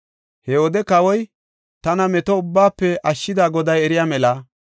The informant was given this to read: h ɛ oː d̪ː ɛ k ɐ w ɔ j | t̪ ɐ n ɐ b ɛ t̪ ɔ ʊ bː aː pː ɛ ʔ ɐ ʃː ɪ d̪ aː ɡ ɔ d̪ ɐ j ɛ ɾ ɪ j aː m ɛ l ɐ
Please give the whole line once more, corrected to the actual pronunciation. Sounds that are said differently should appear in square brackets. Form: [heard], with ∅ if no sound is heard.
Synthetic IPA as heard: h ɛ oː [d̪] ɛ k ɐ w ɔ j | t̪ ɐ n ɐ [m] ɛ t̪ ɔ ʊ bː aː pː ɛ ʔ ɐ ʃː ɪ d̪ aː ɡ ɔ d̪ ɐ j ɛ ɾ ɪ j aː m ɛ l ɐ